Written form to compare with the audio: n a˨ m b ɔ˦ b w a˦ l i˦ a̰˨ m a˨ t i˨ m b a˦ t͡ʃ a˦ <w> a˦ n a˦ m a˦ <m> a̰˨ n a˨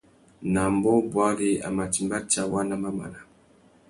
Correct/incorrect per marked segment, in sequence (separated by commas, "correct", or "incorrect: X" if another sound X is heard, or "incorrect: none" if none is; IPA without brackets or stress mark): correct, correct